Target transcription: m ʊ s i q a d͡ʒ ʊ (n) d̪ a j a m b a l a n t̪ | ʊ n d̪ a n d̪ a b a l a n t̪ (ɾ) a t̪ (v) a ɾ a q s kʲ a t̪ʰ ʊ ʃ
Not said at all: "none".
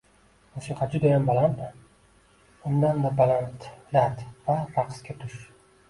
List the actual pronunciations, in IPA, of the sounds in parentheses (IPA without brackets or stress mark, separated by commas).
none, l, v